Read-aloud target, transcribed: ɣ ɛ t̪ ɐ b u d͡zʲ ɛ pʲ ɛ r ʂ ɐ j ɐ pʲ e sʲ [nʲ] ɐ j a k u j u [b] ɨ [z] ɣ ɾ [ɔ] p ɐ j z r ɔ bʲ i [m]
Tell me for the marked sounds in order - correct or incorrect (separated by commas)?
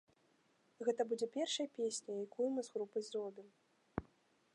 correct, incorrect, correct, incorrect, correct